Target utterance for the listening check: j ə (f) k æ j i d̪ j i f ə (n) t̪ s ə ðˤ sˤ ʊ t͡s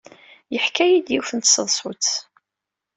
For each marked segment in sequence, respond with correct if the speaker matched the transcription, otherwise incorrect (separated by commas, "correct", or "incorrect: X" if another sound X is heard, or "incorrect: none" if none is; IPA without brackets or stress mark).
incorrect: ħ, correct